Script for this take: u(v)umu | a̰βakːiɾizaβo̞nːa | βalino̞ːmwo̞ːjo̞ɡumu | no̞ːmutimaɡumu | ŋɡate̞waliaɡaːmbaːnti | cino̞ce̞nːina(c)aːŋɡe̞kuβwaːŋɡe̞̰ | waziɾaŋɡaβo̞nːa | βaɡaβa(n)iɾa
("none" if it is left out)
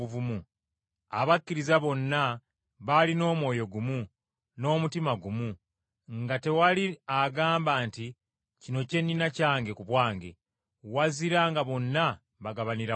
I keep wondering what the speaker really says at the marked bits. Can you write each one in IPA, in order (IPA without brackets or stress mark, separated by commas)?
v, c, n